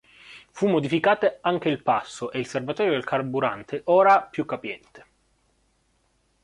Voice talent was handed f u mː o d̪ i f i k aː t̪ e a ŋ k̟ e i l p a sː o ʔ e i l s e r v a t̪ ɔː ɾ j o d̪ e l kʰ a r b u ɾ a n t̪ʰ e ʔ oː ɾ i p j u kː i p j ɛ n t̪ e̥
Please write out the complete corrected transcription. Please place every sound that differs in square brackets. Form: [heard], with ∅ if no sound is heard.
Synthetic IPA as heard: f u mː o d̪ i f i k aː t̪ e a ŋ k̟ e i l p a sː o ʔ e i l s e r v a t̪ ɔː ɾ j o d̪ e l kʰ a r b u ɾ a n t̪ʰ e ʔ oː ɾ [a] p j u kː [a] p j ɛ n t̪ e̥